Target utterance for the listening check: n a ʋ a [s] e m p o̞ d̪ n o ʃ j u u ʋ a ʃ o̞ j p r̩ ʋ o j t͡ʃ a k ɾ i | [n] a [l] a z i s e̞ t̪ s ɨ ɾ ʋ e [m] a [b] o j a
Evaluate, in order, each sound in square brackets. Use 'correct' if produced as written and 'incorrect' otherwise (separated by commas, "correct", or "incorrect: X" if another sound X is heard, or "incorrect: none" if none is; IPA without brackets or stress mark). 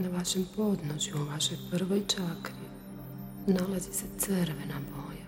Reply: incorrect: ʃ, correct, correct, incorrect: n, correct